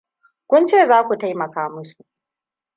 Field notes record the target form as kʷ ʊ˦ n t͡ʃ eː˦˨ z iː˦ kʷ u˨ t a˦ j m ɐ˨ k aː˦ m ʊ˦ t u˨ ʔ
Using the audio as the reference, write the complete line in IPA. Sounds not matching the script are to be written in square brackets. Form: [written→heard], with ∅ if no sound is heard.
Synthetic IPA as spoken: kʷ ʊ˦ n t͡ʃ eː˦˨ z [iː˦→aː˦] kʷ u˨ t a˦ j m ɐ˨ k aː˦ m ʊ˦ [t→s] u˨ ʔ